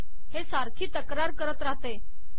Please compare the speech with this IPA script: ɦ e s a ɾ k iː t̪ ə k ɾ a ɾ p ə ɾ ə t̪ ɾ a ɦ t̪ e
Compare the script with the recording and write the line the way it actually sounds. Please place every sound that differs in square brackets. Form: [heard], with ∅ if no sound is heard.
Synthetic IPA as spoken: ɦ e s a ɾ [kʰ] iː t̪ ə k ɾ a ɾ [k] ə ɾ ə t̪ ɾ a ɦ t̪ e